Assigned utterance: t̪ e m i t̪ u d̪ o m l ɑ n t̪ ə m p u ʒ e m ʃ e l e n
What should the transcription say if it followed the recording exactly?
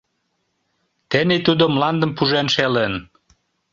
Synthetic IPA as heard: t̪ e n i t̪ u d̪ o m l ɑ n d̪ ə m p u ʒ e n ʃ e l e n